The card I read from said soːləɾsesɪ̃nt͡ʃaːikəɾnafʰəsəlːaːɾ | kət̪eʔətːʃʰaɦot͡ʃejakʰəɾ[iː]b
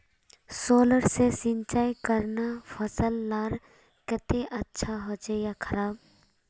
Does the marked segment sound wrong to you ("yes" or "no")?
yes